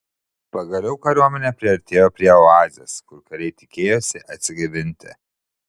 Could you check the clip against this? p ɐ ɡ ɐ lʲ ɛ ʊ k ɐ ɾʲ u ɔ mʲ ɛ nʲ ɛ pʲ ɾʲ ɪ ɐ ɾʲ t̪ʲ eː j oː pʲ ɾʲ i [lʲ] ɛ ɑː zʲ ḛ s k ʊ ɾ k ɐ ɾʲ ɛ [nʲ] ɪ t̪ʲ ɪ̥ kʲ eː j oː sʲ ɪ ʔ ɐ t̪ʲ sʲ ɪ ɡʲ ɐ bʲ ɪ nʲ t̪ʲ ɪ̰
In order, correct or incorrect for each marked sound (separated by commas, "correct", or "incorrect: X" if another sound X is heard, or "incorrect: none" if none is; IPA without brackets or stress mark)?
incorrect: none, incorrect: none